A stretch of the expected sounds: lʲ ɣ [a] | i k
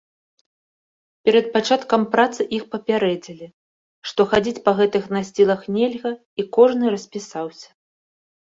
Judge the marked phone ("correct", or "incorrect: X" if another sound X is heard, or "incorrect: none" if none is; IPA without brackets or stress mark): incorrect: ɐ